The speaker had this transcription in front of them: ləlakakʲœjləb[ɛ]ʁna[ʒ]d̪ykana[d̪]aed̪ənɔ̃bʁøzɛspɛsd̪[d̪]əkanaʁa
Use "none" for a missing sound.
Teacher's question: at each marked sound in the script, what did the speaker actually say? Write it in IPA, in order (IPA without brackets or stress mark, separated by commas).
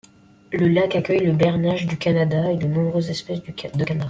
ɛ, ʒ, d̪, d̪